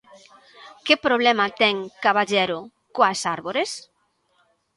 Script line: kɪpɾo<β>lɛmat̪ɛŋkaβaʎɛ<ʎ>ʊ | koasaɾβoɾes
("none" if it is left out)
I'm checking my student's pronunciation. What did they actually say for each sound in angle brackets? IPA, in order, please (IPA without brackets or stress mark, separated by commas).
β, ɾ